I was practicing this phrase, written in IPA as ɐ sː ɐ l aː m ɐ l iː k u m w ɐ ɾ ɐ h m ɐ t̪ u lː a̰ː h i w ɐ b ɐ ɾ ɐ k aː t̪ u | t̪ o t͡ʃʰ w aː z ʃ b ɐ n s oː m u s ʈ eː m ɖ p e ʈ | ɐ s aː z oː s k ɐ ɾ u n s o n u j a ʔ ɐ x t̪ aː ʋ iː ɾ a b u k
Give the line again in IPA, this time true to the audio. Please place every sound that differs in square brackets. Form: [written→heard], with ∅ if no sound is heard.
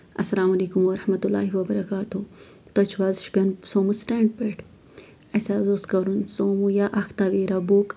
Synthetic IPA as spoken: ɐ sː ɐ l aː m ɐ l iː k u m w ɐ ɾ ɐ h m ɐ t̪ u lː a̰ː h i w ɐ b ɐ ɾ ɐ k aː t̪ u | t̪ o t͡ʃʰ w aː z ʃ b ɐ n s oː m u s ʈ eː [m→ɳ] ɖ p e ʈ | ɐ s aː z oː s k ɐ ɾ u n s o [n→m] u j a ʔ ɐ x t̪ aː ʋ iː ɾ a b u k